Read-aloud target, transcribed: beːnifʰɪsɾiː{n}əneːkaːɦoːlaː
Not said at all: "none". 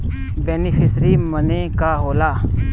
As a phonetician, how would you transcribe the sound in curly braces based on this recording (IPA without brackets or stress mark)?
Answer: m